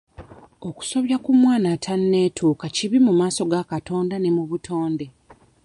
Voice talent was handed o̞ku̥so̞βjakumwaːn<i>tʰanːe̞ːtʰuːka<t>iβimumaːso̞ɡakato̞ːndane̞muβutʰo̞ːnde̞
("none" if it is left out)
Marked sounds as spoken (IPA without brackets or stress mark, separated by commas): a, c